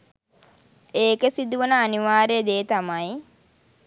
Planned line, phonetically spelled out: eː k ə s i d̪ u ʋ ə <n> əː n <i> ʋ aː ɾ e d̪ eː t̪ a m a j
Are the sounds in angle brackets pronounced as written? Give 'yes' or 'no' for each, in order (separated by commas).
yes, yes